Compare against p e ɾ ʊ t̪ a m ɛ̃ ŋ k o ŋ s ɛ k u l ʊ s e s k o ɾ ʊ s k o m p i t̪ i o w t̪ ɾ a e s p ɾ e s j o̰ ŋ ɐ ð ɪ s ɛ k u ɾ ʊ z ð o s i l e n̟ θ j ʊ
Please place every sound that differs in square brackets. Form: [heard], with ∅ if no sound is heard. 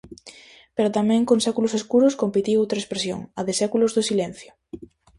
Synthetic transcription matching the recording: p e ɾ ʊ t̪ a m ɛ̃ ŋ k o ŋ s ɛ k u l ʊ s e s k [u] ɾ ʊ s k o m p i t̪ i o w t̪ ɾ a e s p ɾ e s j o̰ ŋ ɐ ð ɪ s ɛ k u [l] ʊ z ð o s i l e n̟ θ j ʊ